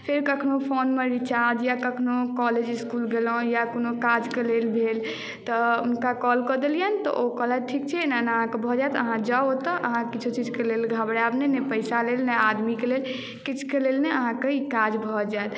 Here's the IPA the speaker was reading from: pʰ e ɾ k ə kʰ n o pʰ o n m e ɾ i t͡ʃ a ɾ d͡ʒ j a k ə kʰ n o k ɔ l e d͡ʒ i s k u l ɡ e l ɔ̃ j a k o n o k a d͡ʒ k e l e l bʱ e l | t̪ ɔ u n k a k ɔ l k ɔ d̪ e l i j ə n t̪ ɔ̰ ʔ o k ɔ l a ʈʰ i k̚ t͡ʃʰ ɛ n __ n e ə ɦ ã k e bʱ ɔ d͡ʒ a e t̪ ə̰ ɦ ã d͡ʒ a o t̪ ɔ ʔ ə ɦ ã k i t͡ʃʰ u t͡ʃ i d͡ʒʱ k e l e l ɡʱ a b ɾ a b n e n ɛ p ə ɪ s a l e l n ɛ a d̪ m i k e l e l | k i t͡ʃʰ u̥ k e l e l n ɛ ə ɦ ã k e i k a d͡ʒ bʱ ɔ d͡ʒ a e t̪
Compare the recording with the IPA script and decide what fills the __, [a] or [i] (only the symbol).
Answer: a